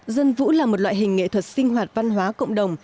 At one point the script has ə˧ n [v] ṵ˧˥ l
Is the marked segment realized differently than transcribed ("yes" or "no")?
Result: no